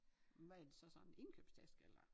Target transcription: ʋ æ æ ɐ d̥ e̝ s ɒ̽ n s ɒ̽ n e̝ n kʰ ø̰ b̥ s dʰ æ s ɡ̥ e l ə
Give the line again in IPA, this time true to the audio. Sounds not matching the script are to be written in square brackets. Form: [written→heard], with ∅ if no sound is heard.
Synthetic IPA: ʋ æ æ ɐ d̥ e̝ s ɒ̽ [n→∅] s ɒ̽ n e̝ n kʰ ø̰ b̥ s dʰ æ s ɡ̥ e l [ə→ɐ]